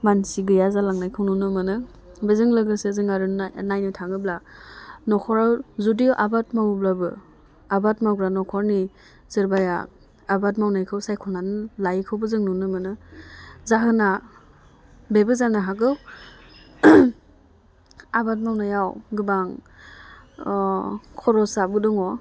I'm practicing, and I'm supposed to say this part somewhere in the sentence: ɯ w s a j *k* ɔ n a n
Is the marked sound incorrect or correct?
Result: incorrect: kʰ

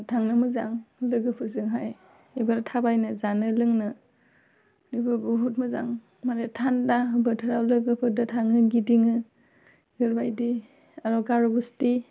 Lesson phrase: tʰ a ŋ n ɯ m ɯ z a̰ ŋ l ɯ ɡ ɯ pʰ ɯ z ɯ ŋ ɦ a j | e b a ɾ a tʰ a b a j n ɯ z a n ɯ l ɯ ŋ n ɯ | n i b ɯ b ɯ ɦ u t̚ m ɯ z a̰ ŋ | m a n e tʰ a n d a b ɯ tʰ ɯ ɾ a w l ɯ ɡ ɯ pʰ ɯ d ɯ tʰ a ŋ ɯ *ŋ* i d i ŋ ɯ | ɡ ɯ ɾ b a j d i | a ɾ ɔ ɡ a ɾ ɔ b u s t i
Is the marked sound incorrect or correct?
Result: incorrect: ɡ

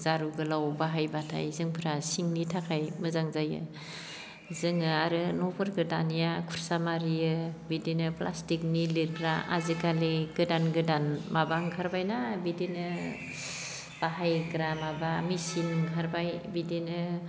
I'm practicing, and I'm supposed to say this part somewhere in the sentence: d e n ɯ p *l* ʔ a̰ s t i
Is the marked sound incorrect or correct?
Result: correct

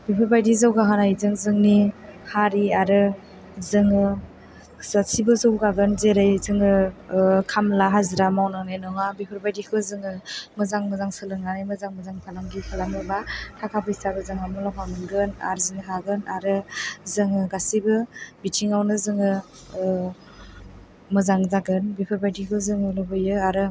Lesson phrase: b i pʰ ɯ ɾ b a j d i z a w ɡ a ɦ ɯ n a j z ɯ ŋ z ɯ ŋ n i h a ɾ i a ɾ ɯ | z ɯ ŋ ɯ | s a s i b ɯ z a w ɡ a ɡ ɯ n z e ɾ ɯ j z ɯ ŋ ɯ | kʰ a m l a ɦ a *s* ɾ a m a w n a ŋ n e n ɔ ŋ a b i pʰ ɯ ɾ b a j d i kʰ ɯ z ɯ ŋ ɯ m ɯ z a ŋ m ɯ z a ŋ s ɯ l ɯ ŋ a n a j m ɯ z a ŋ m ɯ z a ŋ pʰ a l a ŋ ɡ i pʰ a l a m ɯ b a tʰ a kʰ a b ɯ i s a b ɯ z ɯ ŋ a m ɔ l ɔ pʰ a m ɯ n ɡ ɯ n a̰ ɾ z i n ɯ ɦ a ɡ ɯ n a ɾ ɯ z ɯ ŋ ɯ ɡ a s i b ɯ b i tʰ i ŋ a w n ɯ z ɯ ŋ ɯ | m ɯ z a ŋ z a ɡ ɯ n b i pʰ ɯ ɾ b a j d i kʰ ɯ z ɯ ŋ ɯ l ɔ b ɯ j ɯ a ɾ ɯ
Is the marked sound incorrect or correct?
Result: incorrect: z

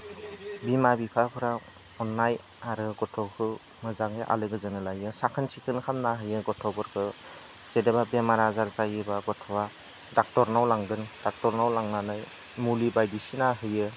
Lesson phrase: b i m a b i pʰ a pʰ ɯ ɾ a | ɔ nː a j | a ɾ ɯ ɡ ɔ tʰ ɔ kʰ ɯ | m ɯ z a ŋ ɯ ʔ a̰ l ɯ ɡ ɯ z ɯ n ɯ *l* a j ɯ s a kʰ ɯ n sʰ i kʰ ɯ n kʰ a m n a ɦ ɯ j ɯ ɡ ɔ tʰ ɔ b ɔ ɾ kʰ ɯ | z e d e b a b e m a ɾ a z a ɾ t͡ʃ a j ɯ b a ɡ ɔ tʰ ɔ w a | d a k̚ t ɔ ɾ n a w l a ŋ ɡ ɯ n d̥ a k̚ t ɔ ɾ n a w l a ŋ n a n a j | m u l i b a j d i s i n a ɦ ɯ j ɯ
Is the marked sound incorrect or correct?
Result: correct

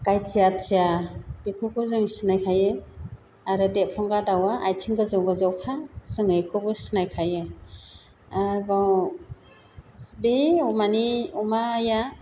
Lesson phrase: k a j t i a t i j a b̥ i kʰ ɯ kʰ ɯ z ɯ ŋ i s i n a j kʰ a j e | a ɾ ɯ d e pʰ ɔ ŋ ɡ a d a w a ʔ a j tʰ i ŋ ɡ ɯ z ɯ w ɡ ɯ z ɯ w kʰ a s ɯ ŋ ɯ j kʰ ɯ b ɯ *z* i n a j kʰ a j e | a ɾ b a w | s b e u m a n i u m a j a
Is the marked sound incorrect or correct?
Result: incorrect: s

